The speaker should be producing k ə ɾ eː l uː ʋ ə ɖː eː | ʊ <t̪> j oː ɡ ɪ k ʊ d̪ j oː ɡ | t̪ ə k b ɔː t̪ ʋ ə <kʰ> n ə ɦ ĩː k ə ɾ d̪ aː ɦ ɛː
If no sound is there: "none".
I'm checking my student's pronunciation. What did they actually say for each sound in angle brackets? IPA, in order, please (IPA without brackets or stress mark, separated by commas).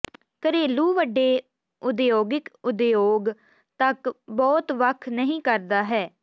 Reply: d̪, kʰ